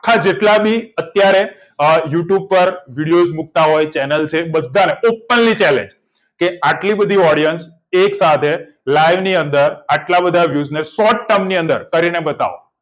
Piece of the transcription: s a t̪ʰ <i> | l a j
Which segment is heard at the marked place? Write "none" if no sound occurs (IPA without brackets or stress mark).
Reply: e